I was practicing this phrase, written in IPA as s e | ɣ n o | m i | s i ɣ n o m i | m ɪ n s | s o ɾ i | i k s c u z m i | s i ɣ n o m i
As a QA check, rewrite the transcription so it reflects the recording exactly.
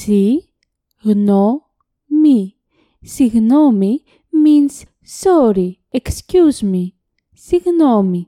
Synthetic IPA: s i | ɣ n o | m i | s i ɣ n o m i | m i n s | s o ɾ i | e k s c u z m i | s i ɣ n o m i